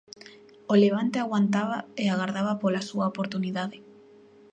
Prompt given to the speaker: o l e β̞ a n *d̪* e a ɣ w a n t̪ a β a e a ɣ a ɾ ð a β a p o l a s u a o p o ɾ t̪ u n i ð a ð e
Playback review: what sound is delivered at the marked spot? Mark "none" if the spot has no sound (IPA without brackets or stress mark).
t̪